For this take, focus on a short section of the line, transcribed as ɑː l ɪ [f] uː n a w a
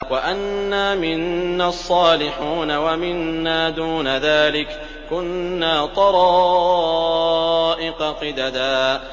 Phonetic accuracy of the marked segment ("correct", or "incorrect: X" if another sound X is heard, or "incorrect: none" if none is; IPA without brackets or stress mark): incorrect: ħ